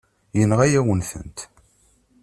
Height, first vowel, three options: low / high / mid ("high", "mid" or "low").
mid